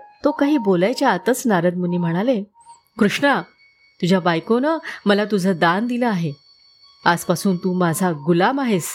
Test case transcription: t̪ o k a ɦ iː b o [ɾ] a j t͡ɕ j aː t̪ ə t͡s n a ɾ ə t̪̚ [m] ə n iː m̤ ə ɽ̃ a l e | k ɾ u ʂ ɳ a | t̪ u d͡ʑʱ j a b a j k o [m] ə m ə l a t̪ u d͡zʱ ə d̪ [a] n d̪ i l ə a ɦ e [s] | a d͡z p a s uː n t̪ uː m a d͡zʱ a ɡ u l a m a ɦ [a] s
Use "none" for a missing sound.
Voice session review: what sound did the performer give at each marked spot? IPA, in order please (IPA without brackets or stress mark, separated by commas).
l, m, n, a, none, e